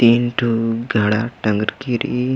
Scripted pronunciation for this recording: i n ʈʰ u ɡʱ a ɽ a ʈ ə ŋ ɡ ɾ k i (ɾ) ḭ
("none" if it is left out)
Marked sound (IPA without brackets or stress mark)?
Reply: ɾ